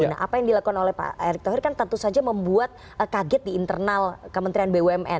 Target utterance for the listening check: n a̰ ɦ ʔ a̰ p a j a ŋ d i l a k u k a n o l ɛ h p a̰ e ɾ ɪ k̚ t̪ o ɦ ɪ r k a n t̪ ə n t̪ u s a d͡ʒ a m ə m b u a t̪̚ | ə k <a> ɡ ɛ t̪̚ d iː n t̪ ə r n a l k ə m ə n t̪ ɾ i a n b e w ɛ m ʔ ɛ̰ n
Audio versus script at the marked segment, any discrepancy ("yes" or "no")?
no